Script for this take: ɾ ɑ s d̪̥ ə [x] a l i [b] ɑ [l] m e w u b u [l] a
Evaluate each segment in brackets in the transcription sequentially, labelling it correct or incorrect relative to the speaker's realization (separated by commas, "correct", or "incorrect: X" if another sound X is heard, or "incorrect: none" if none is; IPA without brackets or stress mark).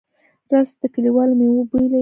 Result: incorrect: k, incorrect: w, correct, correct